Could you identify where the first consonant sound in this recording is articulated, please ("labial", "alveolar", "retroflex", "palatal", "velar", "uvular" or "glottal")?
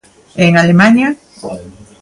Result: velar